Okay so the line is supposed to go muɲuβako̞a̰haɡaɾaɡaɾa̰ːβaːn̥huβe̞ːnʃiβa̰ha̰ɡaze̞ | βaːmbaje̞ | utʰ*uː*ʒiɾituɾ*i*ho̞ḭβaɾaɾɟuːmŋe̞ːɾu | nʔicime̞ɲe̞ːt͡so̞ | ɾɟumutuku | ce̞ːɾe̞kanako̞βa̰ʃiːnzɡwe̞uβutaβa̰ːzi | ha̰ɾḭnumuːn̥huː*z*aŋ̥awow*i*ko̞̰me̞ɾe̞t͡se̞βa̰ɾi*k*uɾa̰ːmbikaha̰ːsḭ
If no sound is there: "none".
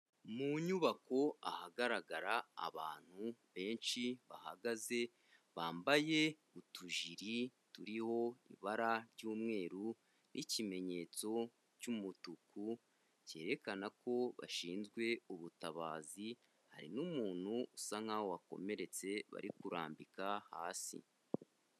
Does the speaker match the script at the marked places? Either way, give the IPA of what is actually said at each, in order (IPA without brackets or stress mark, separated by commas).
u, i, s, a, k